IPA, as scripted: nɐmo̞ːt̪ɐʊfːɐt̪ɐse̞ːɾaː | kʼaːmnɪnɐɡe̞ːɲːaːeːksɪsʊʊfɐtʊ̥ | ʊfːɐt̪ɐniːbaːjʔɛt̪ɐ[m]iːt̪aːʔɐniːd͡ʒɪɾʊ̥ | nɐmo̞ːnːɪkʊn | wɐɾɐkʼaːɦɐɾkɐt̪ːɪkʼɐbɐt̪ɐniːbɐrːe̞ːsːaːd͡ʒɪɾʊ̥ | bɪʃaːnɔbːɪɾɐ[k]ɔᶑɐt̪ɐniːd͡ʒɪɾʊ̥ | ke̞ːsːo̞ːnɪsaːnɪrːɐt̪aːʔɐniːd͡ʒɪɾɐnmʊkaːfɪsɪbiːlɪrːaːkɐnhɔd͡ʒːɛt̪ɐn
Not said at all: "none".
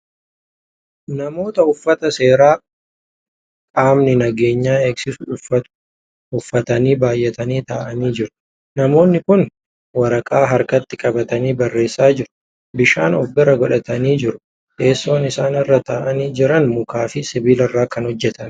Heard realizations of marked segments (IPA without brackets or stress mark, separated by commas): n, ɡ